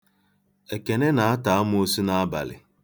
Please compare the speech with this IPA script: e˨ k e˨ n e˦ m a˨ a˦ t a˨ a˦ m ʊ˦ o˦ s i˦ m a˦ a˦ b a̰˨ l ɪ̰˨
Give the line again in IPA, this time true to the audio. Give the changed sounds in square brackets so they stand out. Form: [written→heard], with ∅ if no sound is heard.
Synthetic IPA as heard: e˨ k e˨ n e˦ [m→n] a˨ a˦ t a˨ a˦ m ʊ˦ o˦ s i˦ [m→n] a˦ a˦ b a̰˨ l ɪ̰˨